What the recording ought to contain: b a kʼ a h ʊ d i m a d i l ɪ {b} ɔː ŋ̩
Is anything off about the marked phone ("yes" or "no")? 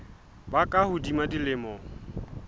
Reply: yes